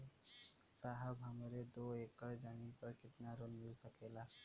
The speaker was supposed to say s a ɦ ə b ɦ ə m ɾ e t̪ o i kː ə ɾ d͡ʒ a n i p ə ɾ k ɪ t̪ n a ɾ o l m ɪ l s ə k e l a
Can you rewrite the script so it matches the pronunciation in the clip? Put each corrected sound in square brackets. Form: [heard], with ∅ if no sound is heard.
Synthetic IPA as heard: s a ɦ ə b ɦ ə m ɾ e [d̪] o [e] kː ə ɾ d͡ʒ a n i p ə ɾ k ɪ t̪ n a ɾ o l m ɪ l s ə k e l a